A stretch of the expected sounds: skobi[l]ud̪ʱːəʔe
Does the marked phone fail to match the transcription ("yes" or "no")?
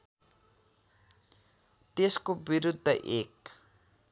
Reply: yes